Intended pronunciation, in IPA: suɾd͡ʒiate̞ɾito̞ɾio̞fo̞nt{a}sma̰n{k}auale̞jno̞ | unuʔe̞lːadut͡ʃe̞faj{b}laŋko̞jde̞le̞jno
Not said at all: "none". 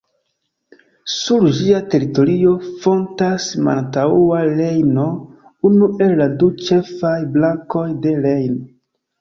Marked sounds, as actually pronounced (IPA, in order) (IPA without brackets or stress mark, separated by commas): a, t, b